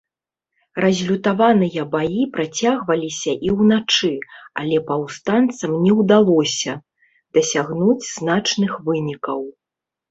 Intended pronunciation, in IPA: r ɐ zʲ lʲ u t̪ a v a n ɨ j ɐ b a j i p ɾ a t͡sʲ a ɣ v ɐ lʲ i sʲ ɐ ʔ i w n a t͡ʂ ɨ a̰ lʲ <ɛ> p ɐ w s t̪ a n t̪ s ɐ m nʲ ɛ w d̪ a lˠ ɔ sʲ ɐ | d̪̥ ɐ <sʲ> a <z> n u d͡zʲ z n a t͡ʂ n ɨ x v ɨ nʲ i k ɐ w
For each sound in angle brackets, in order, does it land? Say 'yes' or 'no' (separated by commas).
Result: yes, yes, no